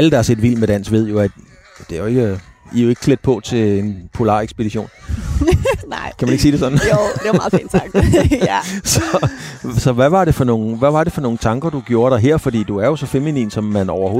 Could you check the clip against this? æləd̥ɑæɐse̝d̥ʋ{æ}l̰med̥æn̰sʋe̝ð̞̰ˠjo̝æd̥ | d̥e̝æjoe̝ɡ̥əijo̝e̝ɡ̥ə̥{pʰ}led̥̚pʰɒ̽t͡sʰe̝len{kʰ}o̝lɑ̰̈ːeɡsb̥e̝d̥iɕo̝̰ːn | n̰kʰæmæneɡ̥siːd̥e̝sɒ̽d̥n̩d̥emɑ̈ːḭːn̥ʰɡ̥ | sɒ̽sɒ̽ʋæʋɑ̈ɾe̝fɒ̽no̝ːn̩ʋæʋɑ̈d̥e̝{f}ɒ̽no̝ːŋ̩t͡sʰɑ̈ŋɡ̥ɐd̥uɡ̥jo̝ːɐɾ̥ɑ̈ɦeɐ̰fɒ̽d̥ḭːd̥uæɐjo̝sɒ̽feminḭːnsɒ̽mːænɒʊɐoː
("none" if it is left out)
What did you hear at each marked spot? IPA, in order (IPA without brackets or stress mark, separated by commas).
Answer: i, kʰ, pʰ, f